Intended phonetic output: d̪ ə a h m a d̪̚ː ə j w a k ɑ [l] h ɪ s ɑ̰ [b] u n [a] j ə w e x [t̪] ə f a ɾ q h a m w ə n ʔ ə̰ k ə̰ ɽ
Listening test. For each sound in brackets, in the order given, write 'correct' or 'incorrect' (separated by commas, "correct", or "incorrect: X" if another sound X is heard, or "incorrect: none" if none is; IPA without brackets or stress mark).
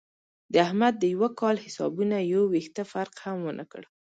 correct, correct, correct, correct